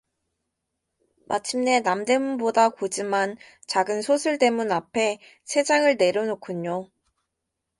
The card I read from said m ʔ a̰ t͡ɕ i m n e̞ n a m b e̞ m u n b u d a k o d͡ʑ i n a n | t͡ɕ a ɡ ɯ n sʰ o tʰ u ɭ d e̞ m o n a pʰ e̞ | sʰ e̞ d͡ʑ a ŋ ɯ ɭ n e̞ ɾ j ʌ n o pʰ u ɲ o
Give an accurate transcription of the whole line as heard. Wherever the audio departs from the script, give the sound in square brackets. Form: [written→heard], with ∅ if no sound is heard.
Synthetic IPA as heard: m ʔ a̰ [t͡ɕ→t͡ɕʰ] i m n e̞ n a m [b→d] e̞ m u n b [u→o] d a k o d͡ʑ i [n→m] a n | t͡ɕ a ɡ ɯ n sʰ o [tʰ→sʰ] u ɭ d e̞ m [o→u] n a pʰ e̞ | sʰ e̞ d͡ʑ a ŋ ɯ ɭ n e̞ ɾ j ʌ n o [pʰ→kʰ] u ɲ o